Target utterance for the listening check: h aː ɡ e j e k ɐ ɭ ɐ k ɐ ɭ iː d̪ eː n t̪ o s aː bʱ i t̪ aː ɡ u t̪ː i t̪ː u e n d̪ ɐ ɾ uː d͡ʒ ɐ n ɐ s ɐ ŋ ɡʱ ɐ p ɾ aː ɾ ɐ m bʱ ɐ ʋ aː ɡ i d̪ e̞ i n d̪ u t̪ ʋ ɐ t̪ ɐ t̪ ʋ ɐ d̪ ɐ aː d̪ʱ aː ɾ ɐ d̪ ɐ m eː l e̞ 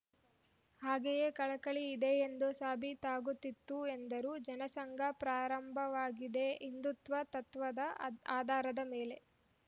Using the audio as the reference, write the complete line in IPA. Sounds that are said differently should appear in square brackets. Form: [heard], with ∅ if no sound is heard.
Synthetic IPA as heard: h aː ɡ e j e k ɐ ɭ ɐ k ɐ ɭ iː d̪ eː n [d̪] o s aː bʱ i t̪ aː ɡ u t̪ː i t̪ː u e n d̪ ɐ ɾ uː d͡ʒ ɐ n ɐ s ɐ ŋ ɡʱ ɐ p ɾ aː ɾ ɐ m bʱ ɐ ʋ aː ɡ i d̪ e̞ i n d̪ u t̪ ʋ ɐ t̪ ɐ t̪ ʋ ɐ d̪ ɐ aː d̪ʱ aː ɾ ɐ d̪ ɐ m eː l e̞